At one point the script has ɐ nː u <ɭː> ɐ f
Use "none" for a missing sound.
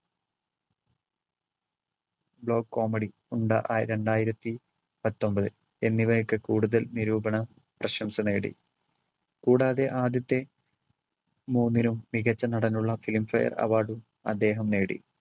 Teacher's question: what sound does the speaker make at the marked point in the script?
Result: ɭː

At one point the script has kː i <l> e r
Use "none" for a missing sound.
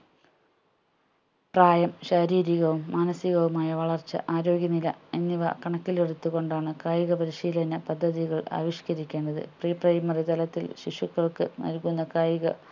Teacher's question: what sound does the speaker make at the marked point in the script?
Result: l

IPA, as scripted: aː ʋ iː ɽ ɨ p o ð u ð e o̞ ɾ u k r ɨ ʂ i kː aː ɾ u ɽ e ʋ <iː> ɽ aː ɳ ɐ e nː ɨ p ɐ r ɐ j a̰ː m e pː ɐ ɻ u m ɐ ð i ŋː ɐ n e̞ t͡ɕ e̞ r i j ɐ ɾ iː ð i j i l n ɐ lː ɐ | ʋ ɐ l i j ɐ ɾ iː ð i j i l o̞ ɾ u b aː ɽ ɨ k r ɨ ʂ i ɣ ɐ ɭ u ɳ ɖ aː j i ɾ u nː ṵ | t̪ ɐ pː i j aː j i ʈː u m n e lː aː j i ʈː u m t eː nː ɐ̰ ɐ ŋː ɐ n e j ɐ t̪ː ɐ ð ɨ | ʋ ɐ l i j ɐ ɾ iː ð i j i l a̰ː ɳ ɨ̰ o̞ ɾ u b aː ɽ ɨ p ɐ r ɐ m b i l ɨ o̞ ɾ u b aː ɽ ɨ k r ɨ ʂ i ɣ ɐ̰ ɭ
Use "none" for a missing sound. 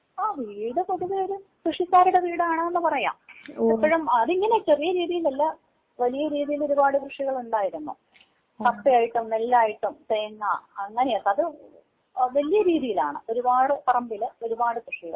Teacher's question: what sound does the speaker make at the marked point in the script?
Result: iː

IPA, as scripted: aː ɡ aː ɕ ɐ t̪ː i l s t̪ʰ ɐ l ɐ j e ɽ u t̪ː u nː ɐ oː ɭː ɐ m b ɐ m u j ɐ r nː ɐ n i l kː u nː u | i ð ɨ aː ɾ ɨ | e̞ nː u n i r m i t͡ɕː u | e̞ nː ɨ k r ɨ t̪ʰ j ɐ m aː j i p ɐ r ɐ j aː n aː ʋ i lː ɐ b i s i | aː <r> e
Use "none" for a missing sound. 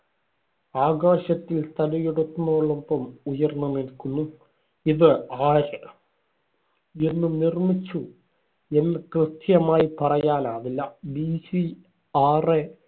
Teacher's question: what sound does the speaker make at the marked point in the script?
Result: r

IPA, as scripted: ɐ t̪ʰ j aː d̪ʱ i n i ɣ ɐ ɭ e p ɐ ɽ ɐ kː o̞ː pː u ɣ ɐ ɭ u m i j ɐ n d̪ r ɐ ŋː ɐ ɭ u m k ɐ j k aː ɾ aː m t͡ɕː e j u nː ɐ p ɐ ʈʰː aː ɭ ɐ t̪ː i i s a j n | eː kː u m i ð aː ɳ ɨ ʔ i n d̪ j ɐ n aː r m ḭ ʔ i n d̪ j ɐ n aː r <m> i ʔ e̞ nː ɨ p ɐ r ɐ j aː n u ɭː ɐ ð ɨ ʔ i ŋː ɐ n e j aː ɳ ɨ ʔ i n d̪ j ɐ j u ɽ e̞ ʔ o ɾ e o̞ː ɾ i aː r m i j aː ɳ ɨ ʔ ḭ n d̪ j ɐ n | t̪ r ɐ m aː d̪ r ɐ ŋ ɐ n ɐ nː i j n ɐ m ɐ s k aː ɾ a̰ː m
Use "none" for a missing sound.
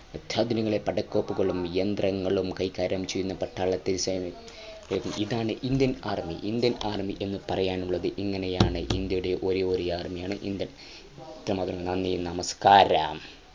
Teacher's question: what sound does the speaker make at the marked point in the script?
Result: m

